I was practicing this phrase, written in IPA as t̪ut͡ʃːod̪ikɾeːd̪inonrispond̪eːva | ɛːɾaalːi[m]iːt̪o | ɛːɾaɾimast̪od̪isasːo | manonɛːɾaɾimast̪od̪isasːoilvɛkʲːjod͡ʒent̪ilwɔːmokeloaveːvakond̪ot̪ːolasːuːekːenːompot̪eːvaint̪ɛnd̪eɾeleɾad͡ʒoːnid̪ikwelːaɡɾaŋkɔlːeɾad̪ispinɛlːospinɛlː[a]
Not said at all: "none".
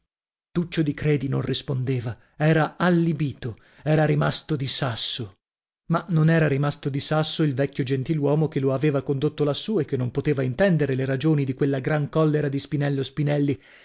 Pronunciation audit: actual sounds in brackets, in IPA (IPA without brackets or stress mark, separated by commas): b, i